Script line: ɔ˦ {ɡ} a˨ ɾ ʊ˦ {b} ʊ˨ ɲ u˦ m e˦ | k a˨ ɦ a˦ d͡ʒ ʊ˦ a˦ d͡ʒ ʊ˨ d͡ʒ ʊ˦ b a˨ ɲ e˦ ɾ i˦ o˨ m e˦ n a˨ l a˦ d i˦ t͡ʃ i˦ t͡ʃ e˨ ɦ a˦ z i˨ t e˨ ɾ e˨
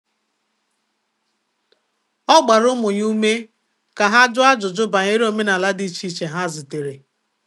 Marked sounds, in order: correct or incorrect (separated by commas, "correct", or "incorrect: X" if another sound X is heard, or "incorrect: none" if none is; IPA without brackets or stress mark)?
incorrect: ɡ͡b, incorrect: m